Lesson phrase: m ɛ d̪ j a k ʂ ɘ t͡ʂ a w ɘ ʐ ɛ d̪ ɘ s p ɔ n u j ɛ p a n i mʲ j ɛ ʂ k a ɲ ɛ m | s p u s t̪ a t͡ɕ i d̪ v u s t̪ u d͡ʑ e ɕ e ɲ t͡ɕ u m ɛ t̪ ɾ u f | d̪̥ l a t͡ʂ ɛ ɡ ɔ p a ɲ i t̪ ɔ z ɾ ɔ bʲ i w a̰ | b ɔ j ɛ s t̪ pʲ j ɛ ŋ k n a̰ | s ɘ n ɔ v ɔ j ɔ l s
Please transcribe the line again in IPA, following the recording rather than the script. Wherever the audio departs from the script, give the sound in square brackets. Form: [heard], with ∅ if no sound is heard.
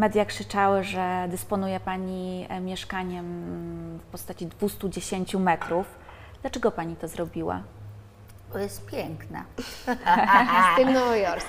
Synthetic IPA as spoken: m ɛ d̪ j a k ʂ ɘ t͡ʂ a w ɘ ʐ ɛ d̪ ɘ s p ɔ n u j ɛ p a [ɲ] i mʲ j ɛ ʂ k a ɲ ɛ m | [f] p [ɔ] s t̪ a t͡ɕ i d̪ v u s t̪ u d͡ʑ e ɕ e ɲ t͡ɕ u m ɛ t̪ ɾ u f | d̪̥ l a t͡ʂ ɛ ɡ ɔ p a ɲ i t̪ ɔ z ɾ ɔ bʲ i w a̰ | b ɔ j ɛ s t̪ pʲ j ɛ ŋ k n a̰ | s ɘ n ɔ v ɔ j ɔ [ɾ] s